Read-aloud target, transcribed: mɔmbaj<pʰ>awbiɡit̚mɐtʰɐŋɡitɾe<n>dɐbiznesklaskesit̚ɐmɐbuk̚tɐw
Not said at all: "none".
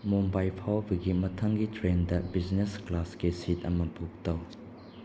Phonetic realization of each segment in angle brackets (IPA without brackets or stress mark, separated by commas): pʰ, n